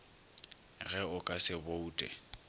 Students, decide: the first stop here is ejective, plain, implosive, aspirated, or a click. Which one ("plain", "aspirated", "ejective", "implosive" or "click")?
ejective